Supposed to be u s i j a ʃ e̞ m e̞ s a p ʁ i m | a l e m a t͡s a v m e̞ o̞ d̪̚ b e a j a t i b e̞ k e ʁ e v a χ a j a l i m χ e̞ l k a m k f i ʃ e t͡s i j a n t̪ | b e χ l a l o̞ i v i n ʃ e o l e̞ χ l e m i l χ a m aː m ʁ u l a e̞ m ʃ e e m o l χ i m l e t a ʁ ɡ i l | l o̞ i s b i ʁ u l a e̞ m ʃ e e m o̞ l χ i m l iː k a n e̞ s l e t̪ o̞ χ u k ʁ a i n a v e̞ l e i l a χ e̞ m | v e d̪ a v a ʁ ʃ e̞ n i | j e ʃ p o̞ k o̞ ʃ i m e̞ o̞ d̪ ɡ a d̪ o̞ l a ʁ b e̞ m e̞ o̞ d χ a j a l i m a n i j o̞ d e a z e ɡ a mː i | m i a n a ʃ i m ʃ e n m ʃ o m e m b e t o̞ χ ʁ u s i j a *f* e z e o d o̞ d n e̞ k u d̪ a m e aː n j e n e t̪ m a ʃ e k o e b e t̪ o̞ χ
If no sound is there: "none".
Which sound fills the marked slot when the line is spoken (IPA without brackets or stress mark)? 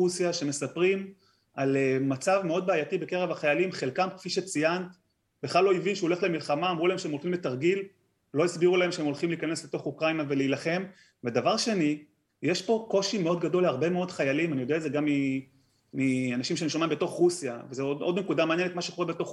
v